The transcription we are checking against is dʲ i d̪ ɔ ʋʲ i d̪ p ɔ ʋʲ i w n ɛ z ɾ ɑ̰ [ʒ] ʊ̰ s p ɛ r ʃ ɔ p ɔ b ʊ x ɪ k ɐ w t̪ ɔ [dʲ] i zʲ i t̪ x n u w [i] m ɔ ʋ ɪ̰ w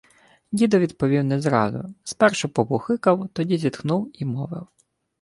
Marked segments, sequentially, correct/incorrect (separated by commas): incorrect, correct, correct